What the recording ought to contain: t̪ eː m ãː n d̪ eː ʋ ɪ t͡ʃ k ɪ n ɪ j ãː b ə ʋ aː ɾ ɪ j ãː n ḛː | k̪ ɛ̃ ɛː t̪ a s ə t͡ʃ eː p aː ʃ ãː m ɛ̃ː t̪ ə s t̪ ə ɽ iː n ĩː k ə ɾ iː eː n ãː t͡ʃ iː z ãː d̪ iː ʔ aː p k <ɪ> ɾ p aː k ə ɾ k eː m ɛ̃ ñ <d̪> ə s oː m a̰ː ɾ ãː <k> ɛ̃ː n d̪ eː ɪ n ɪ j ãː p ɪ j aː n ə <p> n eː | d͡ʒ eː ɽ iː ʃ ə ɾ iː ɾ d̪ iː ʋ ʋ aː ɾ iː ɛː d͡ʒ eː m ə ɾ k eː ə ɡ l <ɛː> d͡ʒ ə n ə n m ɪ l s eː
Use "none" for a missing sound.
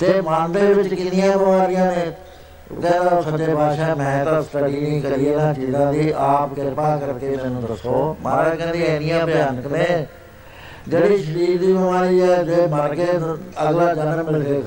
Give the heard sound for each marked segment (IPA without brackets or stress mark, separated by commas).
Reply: ɪ, d̪, k, k, aː